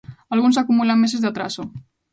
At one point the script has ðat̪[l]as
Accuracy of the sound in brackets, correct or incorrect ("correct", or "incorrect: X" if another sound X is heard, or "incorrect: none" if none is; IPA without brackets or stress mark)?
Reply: incorrect: ɾ